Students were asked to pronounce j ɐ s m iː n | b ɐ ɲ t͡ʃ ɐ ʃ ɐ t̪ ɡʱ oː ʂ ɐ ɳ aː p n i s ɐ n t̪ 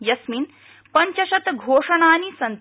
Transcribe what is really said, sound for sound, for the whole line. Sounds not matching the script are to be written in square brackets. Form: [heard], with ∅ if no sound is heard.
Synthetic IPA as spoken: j ɐ s m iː n | [p] ɐ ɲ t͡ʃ ɐ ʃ ɐ t̪ ɡʱ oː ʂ ɐ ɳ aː [∅] n i s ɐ n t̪